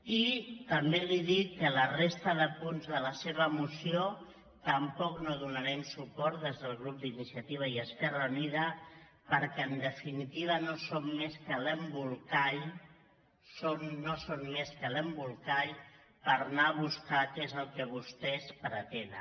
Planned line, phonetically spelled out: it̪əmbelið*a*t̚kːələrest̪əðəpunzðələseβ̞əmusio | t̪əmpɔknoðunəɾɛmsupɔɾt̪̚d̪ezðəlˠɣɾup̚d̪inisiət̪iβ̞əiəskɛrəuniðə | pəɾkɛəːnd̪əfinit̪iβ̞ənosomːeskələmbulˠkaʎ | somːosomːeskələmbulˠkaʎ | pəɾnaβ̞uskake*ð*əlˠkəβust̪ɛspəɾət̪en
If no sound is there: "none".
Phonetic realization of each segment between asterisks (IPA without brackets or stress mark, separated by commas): i, z